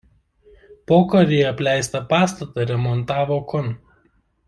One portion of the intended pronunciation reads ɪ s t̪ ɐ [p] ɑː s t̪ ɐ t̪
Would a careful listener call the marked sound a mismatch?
no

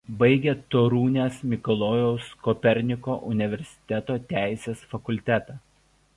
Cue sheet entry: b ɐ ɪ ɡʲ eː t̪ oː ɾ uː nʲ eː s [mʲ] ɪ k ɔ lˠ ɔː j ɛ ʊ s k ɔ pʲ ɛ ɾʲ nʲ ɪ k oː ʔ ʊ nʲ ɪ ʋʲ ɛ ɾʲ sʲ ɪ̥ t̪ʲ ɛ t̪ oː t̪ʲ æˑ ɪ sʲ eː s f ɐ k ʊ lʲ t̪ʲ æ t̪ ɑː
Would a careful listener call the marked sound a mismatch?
no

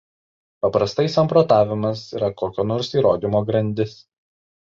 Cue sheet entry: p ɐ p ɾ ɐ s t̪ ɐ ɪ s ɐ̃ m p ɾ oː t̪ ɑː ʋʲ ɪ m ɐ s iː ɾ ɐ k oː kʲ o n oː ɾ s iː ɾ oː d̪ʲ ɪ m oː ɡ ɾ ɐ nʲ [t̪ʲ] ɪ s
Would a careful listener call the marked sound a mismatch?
yes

